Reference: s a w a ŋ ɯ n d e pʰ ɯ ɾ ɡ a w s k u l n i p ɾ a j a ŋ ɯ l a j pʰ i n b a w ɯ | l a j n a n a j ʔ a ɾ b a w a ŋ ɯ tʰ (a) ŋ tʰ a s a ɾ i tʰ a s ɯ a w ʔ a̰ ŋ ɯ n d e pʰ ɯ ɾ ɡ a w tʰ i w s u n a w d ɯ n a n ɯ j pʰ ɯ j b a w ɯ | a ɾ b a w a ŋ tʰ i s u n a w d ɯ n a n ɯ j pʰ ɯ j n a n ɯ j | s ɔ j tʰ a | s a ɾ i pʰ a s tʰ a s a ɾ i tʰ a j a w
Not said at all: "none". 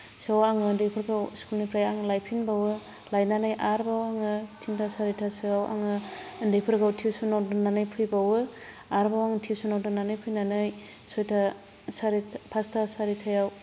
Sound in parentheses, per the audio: i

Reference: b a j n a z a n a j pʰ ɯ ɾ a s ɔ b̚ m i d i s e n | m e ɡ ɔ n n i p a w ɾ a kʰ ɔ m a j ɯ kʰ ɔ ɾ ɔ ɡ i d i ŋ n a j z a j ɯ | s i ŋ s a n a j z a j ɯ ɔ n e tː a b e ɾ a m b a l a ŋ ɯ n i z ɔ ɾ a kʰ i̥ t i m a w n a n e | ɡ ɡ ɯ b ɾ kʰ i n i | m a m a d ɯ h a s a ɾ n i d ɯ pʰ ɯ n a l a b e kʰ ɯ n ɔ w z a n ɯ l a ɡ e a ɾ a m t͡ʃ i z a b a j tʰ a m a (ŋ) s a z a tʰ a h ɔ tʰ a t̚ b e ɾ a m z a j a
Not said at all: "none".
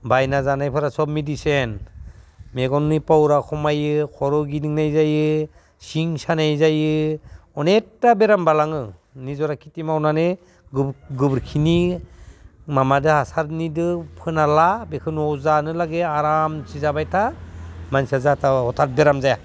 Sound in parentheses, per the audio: n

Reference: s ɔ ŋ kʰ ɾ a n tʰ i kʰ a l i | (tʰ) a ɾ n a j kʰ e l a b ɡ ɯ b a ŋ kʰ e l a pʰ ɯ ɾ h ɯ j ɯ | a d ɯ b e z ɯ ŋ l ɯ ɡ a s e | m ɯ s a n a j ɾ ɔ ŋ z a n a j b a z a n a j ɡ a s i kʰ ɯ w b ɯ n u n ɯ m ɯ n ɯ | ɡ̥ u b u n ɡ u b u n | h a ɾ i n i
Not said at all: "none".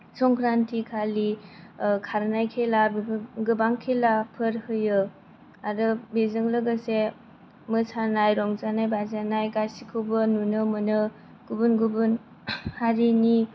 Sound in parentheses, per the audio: kʰ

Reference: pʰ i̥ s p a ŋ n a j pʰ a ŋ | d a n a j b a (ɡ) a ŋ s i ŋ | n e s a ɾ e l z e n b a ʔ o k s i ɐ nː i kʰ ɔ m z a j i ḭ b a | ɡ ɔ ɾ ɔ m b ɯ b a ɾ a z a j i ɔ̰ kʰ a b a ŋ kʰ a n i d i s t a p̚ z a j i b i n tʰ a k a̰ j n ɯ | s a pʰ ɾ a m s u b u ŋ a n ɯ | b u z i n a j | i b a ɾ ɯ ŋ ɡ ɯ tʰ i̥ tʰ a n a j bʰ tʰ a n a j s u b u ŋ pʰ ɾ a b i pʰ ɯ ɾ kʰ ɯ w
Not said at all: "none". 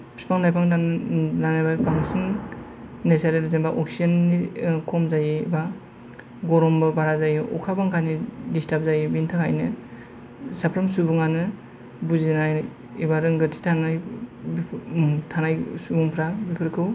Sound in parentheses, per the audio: b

